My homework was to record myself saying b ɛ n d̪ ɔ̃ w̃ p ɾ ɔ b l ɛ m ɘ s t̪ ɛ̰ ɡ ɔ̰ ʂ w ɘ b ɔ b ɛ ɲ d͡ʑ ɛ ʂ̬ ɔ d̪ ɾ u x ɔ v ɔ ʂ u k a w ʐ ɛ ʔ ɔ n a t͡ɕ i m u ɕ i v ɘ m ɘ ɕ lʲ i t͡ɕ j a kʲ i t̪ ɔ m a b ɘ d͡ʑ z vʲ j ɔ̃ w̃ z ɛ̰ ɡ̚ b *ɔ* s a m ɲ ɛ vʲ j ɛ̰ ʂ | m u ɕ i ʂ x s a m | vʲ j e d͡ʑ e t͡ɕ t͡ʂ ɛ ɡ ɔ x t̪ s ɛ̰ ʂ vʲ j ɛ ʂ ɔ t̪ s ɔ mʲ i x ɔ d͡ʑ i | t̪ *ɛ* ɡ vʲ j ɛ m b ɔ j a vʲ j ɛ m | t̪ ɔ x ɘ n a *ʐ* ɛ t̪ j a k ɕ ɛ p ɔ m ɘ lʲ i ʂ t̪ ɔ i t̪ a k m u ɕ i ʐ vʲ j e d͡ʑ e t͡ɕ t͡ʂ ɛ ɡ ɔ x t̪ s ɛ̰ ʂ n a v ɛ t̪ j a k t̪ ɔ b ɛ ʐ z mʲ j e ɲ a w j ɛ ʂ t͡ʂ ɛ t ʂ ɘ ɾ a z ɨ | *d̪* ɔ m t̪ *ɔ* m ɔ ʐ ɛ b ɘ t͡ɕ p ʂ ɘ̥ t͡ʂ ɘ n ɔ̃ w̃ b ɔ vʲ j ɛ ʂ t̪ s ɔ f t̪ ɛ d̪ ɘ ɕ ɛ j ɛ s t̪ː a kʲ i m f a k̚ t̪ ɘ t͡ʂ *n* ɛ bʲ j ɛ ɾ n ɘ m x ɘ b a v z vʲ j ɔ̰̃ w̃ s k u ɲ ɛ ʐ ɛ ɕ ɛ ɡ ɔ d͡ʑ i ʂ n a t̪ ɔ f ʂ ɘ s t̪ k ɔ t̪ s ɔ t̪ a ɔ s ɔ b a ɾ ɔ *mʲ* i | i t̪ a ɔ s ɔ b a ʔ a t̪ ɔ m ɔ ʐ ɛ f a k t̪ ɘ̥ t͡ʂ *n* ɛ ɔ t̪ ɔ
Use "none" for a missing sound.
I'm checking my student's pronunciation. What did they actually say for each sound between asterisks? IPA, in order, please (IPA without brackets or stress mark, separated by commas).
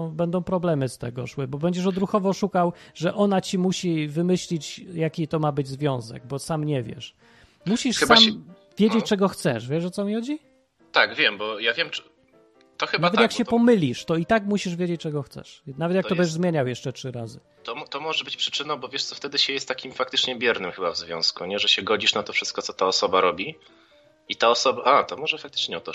ɔ, a, v, t̪, ɔ, ɲ, bʲ, ɲ